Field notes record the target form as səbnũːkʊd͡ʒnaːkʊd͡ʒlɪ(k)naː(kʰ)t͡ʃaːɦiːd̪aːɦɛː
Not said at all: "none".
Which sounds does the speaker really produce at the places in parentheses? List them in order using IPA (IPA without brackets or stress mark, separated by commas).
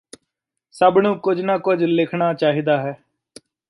kʰ, none